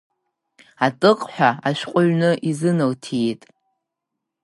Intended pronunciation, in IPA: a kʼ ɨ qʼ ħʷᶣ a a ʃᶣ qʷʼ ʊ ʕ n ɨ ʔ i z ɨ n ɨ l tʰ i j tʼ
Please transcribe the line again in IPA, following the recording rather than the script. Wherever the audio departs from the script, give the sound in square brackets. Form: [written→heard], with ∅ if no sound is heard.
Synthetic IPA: a [kʼ→tʼ] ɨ qʼ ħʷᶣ a a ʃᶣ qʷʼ ʊ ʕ n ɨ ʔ i z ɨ n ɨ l tʰ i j tʼ